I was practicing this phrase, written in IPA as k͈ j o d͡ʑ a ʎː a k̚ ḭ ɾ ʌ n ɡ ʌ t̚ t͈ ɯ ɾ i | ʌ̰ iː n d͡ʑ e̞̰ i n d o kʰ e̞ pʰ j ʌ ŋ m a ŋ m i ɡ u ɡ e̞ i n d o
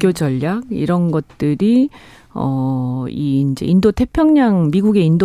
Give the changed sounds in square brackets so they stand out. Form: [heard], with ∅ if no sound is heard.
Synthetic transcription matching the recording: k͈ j o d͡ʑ [ʌ] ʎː a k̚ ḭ ɾ ʌ n ɡ ʌ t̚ t͈ ɯ ɾ i | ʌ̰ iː n d͡ʑ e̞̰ i n d o [tʰ] e̞ pʰ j ʌ ŋ [ɲ] a ŋ m i ɡ u ɡ e̞ i n d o